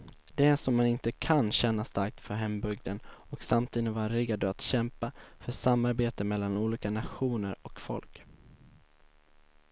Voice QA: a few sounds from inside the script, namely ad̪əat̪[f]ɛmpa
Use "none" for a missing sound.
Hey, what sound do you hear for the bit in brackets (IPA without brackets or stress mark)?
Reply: ɕ